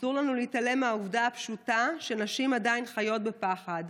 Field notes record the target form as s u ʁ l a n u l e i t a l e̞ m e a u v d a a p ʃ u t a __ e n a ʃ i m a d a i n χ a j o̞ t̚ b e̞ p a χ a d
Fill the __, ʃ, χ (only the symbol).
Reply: ʃ